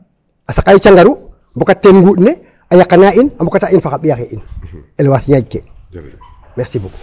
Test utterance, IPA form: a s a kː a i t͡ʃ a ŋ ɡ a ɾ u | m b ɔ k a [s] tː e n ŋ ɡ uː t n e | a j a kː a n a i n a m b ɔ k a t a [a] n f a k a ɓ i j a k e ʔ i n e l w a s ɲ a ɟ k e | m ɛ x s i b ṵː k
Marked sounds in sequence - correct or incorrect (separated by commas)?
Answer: incorrect, incorrect